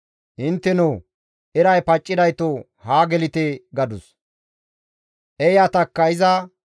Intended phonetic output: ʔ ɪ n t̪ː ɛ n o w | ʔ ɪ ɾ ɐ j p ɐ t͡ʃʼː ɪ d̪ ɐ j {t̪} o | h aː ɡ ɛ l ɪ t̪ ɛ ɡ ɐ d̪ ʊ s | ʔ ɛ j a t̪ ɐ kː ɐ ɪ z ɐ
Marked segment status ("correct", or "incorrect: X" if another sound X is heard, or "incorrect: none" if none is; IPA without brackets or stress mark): correct